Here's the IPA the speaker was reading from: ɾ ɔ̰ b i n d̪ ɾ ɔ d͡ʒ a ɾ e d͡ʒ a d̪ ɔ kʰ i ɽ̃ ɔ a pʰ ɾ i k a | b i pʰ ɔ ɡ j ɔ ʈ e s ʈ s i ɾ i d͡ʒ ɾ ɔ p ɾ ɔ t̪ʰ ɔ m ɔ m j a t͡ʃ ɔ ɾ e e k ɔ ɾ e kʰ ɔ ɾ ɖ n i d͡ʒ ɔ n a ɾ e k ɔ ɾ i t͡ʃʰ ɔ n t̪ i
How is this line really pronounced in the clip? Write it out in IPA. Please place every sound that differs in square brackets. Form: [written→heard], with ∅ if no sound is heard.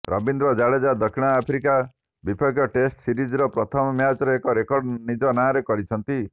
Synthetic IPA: ɾ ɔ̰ b i n d̪ ɾ ɔ d͡ʒ a [ɾ→ɭ] e d͡ʒ a d̪ ɔ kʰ i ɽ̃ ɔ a pʰ ɾ i k a | b i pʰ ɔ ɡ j ɔ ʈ e s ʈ s i ɾ i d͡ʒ ɾ ɔ p ɾ ɔ t̪ʰ ɔ m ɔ m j a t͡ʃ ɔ ɾ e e k ɔ ɾ e [kʰ→k] ɔ ɾ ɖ n i d͡ʒ ɔ n a ɾ e k ɔ ɾ i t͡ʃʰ ɔ n t̪ i